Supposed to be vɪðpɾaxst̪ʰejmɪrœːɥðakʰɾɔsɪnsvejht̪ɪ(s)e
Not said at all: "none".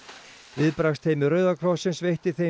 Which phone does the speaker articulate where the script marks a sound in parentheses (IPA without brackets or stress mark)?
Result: θ